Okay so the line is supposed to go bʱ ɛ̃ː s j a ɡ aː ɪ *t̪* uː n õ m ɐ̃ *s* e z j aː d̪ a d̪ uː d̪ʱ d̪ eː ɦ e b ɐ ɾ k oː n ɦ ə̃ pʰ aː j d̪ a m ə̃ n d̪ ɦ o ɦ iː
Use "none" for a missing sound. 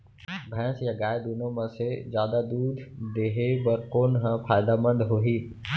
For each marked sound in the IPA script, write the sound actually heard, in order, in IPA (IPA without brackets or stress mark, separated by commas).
d̪, s